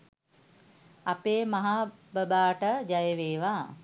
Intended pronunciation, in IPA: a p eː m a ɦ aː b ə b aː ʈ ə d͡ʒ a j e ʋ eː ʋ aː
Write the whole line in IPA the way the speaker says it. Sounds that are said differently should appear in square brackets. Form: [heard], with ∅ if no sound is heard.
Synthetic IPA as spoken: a p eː m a ɦ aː b ə b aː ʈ ə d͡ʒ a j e ʋ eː ʋ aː